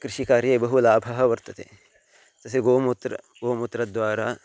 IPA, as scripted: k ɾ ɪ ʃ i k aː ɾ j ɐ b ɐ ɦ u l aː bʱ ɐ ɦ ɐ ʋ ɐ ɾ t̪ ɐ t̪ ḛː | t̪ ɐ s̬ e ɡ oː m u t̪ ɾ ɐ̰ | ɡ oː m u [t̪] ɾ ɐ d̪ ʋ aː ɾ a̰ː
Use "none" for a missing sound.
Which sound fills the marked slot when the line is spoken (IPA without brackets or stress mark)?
t̪